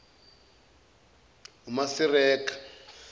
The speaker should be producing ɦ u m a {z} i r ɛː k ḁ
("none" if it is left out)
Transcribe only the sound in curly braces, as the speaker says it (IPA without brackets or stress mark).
s